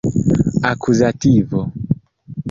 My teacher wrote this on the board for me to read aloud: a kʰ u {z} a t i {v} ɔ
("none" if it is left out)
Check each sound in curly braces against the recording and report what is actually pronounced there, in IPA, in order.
z, v

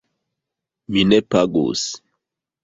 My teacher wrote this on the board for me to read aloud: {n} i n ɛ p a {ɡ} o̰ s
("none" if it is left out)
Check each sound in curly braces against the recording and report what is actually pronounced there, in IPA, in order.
m, ɡ

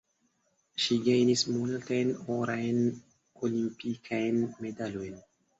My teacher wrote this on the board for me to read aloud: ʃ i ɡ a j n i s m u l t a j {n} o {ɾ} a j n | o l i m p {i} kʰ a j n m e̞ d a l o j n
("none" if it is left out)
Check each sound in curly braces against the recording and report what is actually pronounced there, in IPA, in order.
n, ɾ, i

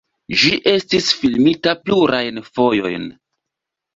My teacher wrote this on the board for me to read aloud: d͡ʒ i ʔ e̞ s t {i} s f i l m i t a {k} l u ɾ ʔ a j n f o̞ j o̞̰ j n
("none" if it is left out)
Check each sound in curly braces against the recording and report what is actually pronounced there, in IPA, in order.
i, p

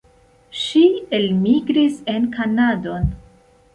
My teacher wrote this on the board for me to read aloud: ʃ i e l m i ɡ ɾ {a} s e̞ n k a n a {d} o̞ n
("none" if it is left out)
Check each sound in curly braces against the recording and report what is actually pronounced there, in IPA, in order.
i, d

